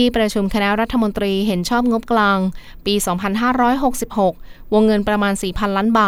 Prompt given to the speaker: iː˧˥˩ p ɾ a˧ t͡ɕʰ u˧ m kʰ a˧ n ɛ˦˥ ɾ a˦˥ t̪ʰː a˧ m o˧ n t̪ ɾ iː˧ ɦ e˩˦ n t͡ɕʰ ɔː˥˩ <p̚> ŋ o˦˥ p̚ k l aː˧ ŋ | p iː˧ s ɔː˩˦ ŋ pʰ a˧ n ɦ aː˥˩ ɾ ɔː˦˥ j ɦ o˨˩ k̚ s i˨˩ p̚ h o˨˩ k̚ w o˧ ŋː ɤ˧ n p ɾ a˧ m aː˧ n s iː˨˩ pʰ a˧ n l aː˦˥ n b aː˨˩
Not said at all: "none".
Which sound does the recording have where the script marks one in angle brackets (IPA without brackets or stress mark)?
p̚